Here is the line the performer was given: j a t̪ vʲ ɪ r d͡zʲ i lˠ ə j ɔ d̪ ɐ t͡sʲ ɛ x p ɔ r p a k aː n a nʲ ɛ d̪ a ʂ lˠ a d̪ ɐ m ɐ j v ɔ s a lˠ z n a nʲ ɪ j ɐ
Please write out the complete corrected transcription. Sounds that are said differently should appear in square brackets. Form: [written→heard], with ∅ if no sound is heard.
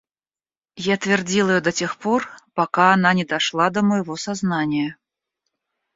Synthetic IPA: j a t̪ vʲ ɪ r d͡zʲ i lˠ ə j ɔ d̪ ɐ t͡sʲ ɛ x p ɔ r p a k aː n a nʲ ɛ d̪ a ʂ lˠ a d̪ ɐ m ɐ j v ɔ s a [lˠ→∅] z n a nʲ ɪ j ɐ